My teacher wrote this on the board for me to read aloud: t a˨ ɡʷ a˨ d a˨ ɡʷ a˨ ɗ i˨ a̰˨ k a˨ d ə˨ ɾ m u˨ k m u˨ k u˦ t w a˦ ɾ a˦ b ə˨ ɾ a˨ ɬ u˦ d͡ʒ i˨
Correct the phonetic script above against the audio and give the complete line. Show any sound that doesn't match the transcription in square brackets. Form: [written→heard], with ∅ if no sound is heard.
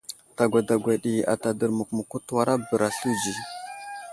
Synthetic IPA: t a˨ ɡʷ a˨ d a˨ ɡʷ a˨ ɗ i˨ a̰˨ [k→t] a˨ d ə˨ ɾ m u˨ k m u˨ k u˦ t w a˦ ɾ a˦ b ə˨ ɾ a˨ ɬ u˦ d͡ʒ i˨